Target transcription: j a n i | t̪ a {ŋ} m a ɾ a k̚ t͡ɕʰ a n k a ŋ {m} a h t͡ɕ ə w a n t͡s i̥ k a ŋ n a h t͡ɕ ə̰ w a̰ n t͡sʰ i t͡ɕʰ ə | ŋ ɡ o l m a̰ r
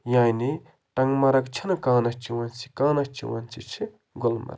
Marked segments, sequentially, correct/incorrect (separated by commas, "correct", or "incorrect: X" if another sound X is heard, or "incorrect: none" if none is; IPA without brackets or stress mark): correct, incorrect: n